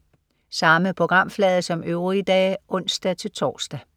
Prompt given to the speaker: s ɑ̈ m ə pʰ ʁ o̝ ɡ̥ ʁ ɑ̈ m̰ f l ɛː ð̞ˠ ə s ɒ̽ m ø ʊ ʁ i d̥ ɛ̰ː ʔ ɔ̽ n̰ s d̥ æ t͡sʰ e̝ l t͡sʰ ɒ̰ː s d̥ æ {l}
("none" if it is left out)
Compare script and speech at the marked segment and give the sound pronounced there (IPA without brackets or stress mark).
none